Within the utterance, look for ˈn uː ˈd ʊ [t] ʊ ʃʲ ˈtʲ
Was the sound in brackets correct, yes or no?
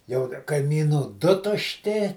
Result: yes